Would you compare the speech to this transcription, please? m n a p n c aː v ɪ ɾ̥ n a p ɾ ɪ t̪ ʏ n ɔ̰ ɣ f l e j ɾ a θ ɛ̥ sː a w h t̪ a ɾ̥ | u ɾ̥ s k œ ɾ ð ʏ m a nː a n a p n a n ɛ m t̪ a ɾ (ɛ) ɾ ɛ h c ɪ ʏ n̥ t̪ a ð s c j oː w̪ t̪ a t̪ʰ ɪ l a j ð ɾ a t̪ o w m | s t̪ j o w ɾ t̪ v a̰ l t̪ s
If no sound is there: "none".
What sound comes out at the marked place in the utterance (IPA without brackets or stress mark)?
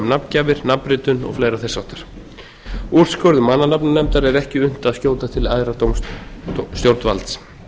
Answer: ɛ